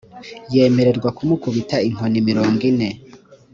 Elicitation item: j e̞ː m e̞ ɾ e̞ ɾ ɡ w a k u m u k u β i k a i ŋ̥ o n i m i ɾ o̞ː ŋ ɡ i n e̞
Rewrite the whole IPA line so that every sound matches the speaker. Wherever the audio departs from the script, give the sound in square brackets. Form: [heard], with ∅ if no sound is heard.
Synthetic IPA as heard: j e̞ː m e̞ ɾ e̞ ɾ ɡ w a k u m u k u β i [t] a i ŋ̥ o n i m i ɾ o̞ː ŋ ɡ i n e̞